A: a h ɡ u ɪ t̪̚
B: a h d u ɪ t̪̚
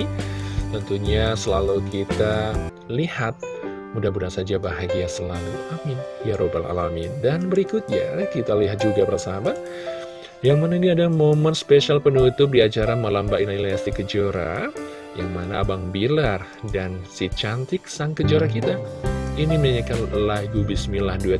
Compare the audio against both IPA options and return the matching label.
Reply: B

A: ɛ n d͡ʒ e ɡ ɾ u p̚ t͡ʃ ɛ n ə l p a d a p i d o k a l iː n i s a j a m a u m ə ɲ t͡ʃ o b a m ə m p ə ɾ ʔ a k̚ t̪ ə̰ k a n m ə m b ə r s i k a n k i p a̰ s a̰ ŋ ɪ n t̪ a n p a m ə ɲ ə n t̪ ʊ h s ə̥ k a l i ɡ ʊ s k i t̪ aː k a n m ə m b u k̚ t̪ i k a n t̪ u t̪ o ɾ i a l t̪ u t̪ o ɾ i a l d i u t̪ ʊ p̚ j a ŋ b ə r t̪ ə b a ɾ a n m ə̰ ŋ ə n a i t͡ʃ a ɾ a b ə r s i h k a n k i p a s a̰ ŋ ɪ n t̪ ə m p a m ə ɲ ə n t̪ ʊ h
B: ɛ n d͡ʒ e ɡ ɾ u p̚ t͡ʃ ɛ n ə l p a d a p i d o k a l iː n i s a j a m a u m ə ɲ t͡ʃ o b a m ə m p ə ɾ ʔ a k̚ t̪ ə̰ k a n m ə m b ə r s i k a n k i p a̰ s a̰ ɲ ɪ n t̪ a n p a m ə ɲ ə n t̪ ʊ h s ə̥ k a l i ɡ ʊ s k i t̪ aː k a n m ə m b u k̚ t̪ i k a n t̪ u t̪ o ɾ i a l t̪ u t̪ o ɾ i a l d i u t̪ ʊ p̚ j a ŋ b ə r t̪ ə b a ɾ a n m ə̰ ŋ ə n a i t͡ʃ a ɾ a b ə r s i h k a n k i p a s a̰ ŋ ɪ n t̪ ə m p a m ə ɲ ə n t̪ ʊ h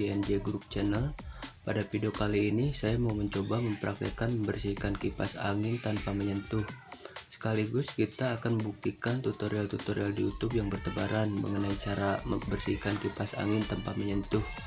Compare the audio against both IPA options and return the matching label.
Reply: A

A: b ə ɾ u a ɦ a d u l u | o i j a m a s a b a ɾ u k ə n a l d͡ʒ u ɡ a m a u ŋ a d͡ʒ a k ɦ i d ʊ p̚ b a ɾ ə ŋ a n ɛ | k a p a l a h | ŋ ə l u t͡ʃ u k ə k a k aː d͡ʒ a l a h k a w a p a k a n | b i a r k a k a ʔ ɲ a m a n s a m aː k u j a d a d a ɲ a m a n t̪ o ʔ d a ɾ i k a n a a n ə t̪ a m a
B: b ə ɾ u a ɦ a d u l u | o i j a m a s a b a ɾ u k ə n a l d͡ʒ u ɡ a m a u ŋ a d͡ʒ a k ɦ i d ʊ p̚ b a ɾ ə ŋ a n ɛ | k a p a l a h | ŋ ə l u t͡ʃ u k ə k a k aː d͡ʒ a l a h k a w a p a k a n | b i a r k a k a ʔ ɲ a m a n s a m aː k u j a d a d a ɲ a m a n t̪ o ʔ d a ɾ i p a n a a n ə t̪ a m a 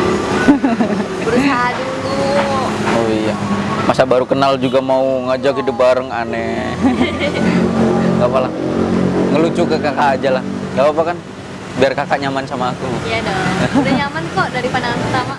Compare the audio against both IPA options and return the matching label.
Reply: B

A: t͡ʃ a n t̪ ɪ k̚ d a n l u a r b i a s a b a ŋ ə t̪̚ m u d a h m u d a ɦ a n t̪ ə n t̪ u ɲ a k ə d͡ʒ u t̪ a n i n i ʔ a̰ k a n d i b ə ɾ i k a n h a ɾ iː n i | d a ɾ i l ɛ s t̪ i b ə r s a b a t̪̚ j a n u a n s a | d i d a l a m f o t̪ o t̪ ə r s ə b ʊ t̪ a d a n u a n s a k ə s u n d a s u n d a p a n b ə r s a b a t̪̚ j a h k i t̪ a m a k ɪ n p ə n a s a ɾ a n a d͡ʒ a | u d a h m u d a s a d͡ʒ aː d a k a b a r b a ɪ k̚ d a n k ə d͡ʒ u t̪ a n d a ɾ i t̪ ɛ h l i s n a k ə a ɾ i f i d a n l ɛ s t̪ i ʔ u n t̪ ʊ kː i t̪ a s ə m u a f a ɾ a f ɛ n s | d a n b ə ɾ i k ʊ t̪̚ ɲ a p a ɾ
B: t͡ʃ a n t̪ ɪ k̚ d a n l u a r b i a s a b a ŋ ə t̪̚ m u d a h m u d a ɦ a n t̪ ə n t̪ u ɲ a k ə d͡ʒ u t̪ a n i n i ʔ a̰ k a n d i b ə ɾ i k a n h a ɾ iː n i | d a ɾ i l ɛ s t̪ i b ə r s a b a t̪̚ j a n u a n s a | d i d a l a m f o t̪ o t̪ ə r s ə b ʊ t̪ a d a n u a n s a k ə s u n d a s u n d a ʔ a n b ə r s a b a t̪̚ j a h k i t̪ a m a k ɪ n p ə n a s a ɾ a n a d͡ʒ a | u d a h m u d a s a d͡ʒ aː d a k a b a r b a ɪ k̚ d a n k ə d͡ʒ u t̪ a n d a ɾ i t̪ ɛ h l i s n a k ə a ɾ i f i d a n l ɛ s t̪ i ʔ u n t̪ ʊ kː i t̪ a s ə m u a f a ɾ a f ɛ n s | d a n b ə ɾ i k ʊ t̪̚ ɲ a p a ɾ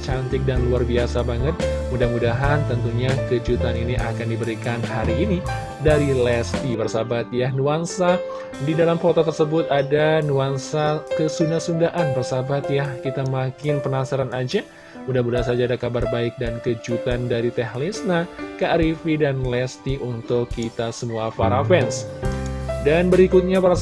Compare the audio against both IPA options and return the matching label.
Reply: B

